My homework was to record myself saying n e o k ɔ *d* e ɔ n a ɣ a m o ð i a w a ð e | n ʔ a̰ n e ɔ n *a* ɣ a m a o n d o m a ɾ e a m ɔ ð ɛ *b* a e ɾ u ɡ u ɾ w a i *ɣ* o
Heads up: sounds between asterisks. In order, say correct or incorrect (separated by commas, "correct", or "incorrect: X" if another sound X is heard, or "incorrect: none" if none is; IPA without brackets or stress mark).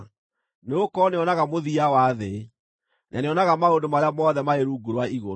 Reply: incorrect: n, correct, incorrect: m, correct